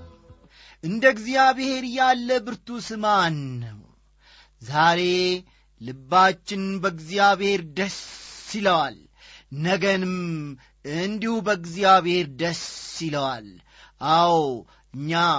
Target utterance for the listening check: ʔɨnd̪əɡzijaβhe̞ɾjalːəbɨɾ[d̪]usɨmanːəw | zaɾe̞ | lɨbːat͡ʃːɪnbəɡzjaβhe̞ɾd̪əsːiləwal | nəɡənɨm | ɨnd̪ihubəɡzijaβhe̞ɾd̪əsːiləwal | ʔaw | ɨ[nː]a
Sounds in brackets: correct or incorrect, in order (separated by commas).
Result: incorrect, incorrect